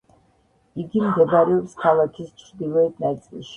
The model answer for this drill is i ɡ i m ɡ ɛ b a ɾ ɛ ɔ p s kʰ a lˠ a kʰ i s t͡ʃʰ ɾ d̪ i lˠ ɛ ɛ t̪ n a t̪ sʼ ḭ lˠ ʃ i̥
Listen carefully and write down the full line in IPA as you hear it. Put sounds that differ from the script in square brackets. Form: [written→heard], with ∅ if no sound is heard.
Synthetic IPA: i ɡ i m ɡ ɛ b a ɾ ɛ ɔ p s kʰ a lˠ a kʰ i s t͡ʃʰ ɾ d̪ i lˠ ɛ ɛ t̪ n a t̪ sʼ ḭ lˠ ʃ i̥